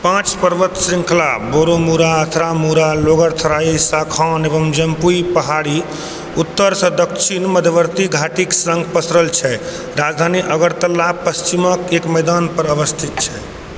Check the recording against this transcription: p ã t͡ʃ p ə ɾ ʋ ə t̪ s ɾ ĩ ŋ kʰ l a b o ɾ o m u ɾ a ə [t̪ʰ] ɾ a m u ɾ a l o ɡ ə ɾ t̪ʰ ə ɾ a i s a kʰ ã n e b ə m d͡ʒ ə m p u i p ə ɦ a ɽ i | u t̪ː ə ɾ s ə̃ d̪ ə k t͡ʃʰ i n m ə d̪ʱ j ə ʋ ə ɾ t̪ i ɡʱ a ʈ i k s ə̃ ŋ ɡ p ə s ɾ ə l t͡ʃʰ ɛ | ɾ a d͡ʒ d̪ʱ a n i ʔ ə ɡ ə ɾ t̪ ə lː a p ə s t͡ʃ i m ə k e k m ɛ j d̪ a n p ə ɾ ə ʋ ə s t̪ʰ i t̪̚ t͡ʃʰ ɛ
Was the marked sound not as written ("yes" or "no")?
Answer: no